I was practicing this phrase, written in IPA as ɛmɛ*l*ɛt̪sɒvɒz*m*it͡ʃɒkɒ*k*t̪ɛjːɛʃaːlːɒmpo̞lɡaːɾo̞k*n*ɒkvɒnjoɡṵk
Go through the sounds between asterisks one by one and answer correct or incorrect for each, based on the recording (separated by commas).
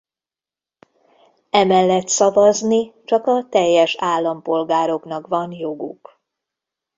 incorrect, incorrect, incorrect, correct